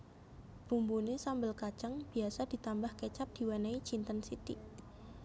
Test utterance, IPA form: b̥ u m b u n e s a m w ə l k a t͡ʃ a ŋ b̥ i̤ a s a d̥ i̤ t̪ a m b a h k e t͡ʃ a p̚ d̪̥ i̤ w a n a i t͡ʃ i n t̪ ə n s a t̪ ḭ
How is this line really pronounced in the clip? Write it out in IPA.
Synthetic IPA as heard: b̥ u m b u n e s a m b ə l k a t͡ʃ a ŋ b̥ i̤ a s a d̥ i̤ t̪ a m b a h k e t͡ʃ a p̚ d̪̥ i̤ w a n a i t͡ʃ i n t̪ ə n s i t̪ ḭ